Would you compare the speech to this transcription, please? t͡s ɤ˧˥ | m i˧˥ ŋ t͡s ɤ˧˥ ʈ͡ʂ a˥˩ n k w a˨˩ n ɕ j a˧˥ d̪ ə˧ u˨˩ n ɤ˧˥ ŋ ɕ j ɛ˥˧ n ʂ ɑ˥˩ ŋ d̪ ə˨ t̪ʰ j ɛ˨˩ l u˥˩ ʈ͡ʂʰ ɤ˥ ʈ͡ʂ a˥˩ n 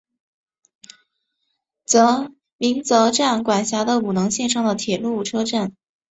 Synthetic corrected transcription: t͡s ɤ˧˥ | m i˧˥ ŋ t͡s ɤ˧˥ ʈ͡ʂ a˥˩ n k w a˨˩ n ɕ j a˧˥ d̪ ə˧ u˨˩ n ɤ˧˥ ŋ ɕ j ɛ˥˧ n ʂ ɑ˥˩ ŋ d̪ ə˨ t̪ʰ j ɛ˨˩ l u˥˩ ʈ͡ʂʰ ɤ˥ ʈ͡ʂ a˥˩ n